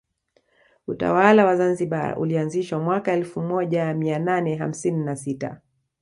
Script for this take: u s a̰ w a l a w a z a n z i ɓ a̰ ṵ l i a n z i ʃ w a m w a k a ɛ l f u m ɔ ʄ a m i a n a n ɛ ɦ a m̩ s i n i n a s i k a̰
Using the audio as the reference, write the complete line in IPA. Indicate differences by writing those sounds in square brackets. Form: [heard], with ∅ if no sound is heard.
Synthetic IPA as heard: u [t] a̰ w a l a w a z a n z i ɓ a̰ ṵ l i a n z i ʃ w a m w a k a ɛ l f u m ɔ ʄ a m i a n a n ɛ ɦ a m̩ s i n i n a s i [t] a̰